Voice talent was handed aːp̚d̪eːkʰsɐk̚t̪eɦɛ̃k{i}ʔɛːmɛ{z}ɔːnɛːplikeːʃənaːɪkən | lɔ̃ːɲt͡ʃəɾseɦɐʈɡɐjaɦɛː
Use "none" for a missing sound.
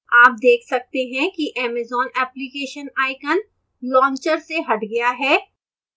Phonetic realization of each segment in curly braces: i, z

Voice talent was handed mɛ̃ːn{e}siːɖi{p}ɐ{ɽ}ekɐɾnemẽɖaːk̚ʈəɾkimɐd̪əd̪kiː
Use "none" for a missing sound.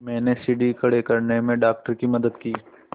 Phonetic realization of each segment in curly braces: e, k, ɽ

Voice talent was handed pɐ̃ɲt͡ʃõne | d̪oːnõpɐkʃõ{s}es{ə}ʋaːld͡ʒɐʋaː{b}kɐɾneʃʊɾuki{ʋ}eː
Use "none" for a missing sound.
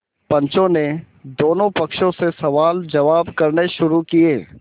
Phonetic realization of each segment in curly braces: s, ɐ, b, none

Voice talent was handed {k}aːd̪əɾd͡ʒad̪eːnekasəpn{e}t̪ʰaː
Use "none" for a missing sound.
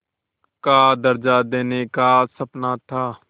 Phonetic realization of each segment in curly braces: k, a

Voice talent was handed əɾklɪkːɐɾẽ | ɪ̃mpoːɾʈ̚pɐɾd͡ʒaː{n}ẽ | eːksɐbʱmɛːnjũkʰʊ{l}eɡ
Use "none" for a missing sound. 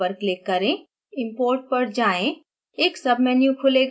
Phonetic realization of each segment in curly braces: none, l

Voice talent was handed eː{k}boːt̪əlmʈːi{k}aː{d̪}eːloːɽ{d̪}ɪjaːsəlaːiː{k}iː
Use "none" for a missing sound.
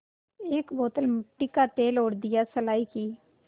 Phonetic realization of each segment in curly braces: k, k, t̪, d̪, k

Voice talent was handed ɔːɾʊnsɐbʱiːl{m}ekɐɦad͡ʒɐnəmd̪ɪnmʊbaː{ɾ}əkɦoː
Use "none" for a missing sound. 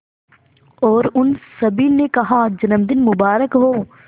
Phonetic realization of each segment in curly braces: n, ɾ

